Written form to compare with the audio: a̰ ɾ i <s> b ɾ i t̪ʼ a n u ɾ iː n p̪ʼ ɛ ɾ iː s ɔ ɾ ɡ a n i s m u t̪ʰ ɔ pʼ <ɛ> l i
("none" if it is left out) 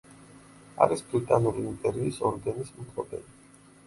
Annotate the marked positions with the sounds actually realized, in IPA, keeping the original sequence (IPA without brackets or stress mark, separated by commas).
s, ɛ